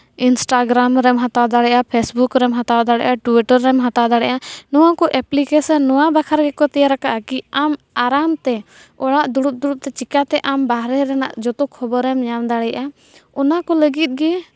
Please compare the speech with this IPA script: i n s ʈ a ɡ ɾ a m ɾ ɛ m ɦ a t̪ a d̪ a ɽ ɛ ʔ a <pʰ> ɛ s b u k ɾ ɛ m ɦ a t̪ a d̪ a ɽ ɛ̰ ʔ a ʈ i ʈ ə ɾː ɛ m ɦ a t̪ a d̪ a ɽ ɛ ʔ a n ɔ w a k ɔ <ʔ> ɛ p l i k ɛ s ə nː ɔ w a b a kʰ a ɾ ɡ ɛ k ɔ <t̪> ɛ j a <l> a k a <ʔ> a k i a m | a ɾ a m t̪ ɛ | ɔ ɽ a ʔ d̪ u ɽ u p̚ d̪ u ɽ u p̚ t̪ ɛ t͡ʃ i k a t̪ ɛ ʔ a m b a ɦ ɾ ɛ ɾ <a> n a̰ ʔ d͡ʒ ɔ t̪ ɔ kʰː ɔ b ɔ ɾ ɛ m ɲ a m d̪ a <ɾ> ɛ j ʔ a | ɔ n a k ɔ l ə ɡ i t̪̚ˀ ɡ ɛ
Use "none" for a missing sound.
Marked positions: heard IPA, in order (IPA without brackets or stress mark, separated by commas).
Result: pʰ, ʔ, t̪, ɾ, ʔ, ɛ, ɽ